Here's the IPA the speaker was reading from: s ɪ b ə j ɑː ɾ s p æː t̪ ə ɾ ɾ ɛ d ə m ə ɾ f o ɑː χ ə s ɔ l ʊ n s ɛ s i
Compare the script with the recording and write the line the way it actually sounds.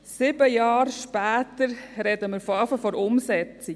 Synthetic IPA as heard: s ɪ b ə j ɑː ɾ ʃ p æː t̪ ə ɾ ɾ ɛ d ə m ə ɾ f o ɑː f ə f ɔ ɾ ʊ m s ɛ t͡s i